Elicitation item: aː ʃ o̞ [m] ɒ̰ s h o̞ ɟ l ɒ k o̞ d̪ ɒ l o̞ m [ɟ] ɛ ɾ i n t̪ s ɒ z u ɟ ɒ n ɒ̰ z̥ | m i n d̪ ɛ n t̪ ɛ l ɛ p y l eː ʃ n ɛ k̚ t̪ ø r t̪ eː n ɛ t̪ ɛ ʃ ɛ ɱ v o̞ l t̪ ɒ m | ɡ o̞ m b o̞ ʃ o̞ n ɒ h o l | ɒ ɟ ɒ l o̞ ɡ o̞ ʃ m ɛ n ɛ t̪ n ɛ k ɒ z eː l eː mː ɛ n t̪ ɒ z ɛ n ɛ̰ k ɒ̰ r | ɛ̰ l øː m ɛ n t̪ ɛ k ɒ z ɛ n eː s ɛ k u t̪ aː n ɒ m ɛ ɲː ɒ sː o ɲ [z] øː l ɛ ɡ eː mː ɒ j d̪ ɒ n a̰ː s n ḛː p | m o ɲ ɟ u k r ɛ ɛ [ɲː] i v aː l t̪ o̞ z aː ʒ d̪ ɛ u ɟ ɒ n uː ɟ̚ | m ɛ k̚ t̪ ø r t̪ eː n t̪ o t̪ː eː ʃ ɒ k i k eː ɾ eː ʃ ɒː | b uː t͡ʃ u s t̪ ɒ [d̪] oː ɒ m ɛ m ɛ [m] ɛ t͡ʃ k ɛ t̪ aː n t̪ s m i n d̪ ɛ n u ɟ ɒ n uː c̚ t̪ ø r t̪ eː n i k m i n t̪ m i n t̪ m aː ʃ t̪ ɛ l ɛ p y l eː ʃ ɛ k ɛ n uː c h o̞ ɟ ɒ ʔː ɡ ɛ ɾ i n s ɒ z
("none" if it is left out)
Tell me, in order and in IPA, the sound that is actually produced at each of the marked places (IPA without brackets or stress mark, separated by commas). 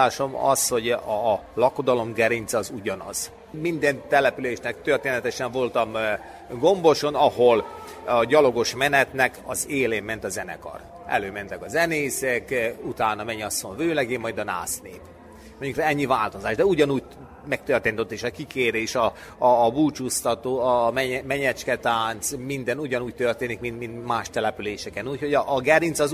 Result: m, ɡ, v, ɲː, t̪, ɲ